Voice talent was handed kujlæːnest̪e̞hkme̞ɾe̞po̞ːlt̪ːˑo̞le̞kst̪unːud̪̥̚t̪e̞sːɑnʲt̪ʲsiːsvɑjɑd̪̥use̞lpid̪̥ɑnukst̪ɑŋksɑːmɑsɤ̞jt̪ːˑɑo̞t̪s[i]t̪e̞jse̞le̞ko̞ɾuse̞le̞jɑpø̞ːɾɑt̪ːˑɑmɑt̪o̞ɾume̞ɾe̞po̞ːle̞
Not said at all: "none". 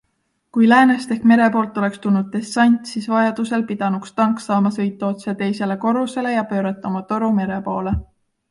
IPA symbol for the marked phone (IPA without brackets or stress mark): e